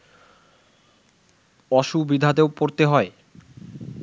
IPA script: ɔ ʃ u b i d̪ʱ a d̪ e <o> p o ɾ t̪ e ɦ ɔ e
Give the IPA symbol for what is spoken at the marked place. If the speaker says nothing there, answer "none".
o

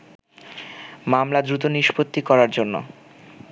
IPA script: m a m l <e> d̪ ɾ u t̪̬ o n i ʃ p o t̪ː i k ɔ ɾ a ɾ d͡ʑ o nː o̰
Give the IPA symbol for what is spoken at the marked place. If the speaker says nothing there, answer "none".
a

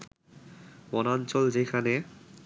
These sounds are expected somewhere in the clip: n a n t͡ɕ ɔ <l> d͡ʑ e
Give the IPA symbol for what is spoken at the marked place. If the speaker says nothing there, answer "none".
l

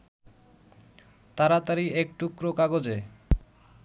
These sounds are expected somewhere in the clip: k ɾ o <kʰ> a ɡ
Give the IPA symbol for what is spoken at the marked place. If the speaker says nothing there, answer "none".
k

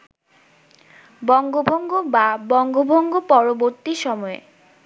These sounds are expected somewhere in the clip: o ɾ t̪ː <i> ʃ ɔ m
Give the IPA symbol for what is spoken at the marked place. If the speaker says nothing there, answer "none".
i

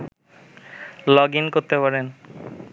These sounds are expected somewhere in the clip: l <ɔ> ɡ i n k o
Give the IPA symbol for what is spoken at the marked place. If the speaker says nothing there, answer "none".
ɔ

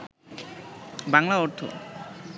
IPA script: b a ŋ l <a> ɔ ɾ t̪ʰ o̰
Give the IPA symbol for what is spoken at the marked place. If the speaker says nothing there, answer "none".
a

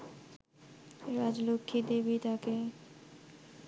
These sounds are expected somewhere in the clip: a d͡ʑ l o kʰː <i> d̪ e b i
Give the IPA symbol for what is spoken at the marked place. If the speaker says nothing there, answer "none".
i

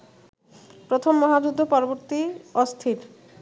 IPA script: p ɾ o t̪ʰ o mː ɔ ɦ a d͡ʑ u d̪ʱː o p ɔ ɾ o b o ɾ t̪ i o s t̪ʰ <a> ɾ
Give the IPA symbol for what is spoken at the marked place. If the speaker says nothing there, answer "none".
i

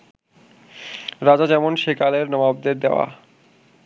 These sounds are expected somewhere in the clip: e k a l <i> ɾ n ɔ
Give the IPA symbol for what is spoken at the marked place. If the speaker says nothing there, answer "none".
e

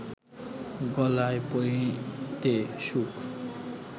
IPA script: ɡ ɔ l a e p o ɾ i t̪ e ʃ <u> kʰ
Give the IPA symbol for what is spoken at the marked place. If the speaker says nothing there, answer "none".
u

